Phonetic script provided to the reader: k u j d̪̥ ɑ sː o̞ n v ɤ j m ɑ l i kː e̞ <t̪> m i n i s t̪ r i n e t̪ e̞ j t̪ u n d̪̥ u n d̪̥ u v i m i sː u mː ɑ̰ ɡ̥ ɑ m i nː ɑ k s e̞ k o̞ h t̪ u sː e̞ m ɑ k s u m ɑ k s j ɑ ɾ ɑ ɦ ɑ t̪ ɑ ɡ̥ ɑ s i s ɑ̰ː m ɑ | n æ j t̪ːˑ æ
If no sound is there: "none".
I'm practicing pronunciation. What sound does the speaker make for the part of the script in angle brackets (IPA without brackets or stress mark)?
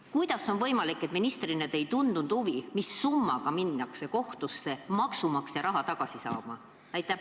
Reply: t̪